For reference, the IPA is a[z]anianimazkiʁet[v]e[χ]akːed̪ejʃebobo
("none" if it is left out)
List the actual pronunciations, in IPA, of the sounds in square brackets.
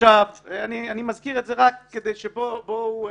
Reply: v, z, ʁ

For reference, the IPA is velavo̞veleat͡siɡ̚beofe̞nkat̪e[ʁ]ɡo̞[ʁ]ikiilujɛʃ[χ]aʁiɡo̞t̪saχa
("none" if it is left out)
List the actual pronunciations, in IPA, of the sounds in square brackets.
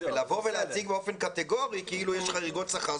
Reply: none, ʁ, χ

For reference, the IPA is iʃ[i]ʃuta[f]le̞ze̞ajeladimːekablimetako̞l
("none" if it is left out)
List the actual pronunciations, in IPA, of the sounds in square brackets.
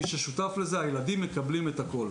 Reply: e, f

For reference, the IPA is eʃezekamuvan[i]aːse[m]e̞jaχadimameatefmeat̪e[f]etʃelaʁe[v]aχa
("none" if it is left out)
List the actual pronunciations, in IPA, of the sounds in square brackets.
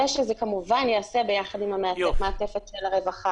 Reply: j, b, f, v

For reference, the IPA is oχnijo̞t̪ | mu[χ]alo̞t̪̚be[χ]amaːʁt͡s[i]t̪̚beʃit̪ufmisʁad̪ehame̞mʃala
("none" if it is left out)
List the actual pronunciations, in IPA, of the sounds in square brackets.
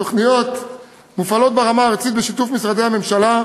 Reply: f, ʁ, i

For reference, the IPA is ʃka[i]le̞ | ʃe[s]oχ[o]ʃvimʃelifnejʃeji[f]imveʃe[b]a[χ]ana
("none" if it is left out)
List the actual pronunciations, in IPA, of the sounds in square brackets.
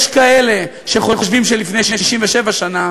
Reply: e, χ, o, ʃ, v, ʃ

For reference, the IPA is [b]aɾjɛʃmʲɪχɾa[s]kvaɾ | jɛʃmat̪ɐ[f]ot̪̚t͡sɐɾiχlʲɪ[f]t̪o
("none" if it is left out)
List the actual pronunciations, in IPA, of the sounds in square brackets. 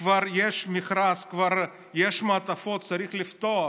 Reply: v, s, f, f

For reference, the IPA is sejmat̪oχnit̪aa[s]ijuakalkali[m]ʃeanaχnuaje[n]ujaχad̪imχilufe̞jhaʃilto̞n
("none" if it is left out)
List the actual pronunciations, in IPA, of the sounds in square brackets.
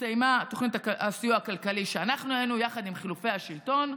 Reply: s, none, n

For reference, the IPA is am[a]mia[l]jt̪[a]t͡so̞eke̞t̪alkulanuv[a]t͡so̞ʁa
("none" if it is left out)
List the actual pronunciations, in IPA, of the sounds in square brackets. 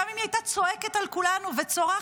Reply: i, none, a, e

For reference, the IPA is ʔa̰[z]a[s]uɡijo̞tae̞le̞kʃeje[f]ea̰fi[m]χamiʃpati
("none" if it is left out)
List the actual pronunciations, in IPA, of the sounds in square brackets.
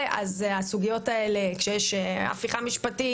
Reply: z, s, ʃ, none

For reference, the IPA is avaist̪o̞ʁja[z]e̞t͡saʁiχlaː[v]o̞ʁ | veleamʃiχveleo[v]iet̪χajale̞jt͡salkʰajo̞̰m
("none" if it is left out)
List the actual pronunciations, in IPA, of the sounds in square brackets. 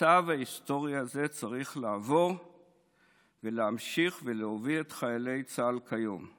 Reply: z, v, v

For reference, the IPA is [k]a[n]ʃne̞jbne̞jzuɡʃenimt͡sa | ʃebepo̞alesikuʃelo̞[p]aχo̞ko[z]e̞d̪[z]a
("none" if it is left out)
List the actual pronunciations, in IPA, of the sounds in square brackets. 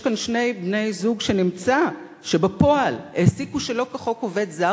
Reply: k, n, k, v, z

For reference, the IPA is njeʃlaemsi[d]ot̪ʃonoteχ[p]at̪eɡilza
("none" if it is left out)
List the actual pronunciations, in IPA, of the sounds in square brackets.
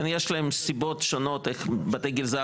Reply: b, b

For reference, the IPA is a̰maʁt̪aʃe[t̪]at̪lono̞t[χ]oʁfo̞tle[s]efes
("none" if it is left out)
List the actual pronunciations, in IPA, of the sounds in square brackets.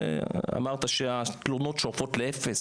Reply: none, ʃ, none

